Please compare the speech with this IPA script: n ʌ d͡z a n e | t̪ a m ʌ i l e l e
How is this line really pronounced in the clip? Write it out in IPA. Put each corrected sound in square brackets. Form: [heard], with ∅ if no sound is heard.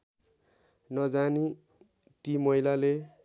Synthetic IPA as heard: n ʌ d͡z a n [i] | t̪ [i] m ʌ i l [a] l e